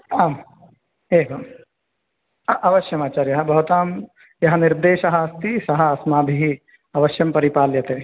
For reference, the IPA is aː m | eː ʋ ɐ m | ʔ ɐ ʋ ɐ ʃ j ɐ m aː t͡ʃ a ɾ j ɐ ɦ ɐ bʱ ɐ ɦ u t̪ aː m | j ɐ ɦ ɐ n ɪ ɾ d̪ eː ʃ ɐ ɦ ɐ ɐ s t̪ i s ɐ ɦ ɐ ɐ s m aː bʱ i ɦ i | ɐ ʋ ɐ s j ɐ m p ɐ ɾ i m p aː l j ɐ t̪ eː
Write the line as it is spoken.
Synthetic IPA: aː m | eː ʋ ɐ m | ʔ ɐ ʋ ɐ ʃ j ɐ m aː t͡ʃ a ɾ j ɐ ɦ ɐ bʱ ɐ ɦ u t̪ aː m | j ɐ ɦ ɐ n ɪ ɾ d̪ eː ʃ ɐ ɦ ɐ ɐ s t̪ i s ɐ ɦ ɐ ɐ s m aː bʱ i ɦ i | ɐ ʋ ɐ ʃ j ɐ m p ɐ ɾ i p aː l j ɐ t̪ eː